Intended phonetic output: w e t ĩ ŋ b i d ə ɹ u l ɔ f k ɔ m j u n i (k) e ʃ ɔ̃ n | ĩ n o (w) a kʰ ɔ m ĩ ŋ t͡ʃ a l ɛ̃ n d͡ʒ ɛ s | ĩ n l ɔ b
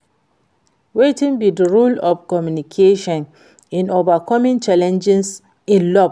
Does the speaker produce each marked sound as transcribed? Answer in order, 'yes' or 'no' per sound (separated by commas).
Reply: no, no